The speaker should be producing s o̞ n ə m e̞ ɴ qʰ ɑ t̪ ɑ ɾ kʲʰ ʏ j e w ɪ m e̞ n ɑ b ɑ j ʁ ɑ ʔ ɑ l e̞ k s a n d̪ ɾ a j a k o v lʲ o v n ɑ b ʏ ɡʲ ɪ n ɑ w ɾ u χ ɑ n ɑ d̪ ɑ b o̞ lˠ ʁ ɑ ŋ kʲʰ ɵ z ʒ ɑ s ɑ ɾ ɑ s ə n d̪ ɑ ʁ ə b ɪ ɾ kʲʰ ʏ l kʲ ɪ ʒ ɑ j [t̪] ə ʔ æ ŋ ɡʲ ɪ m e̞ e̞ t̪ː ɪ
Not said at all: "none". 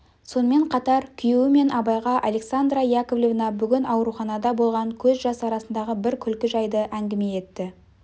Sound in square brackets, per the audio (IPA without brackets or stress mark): d̪